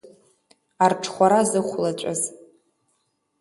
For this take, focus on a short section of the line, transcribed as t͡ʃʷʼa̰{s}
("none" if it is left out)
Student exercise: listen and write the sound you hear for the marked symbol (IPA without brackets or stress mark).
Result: z